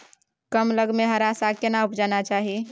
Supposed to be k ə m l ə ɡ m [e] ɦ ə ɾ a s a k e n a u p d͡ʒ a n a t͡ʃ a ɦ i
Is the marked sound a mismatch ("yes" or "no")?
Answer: no